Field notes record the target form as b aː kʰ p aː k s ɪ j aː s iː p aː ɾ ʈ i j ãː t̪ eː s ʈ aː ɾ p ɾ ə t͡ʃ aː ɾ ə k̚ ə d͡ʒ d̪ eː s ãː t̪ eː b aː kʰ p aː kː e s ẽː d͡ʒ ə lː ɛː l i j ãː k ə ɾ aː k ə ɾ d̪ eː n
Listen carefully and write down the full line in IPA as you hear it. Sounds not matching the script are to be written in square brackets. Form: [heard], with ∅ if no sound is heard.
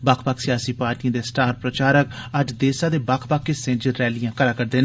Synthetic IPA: b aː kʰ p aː k s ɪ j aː s iː p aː ɾ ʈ i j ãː [d̪] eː s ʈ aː ɾ p ɾ ə t͡ʃ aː ɾ ə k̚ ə d͡ʒ d̪ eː s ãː [d̪] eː b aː kʰ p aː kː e s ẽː d͡ʒ ə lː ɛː l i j ãː k ə ɾ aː k ə ɾ d̪ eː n

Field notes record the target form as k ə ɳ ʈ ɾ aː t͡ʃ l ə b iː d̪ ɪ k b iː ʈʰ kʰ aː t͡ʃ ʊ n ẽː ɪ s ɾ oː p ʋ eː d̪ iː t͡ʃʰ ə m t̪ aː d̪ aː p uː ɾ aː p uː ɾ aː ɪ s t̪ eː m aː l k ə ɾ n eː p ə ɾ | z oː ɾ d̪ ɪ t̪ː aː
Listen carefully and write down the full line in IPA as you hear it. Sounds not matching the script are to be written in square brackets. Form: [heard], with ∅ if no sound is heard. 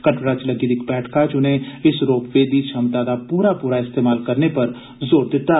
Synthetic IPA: k ə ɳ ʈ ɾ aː t͡ʃ l ə [ɡ] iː d̪ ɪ k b [ɛː] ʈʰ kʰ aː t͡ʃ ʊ n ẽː ɪ s ɾ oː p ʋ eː d̪ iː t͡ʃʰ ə m t̪ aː d̪ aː p uː ɾ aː p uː ɾ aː ɪ s t̪ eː m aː l k ə ɾ n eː p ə ɾ | z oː ɾ d̪ ɪ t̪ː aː

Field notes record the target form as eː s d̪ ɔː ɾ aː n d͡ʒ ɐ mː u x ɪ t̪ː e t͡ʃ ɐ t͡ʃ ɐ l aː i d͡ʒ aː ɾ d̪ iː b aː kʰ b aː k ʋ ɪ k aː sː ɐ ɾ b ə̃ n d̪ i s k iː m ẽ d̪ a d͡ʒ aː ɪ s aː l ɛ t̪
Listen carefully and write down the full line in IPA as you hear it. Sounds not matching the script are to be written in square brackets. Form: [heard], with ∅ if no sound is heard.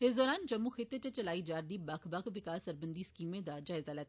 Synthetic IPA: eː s d̪ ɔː ɾ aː n d͡ʒ ɐ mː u x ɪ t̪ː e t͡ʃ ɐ t͡ʃ ɐ l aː i d͡ʒ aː ɾ d̪ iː b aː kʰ b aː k ʋ ɪ k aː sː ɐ ɾ b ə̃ n d̪ i s k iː m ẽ d̪ a d͡ʒ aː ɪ [z] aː l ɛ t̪

